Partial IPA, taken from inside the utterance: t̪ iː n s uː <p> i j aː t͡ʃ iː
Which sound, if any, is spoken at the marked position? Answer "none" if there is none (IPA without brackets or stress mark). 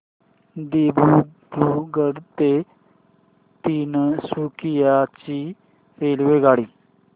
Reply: k